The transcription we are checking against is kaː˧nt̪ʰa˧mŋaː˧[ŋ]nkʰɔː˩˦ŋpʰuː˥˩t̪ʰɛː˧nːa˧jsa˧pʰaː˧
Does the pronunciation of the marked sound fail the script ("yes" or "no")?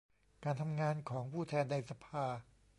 yes